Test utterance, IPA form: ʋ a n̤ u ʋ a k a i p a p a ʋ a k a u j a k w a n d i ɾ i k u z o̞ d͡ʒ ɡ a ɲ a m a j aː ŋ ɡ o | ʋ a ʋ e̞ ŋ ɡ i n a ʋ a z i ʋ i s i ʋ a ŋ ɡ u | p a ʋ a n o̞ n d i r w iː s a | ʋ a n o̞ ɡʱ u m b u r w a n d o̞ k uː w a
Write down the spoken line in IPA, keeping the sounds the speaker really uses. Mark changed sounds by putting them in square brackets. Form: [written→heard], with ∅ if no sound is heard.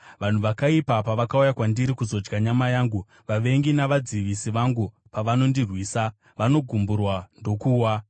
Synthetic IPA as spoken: ʋ a n̤ u ʋ a k a i p a p a ʋ a k a u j a k w a n d i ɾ i k u z o̞ d͡ʒ ɡ a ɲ a m a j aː ŋ ɡ [o→u] | ʋ a ʋ e̞ ŋ ɡ i n a ʋ a [z→d͡z] i ʋ i s i ʋ a ŋ ɡ u | p a ʋ a n o̞ n d i r w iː s a | ʋ a n o̞ ɡʱ u m b u r w a n d o̞ k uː w a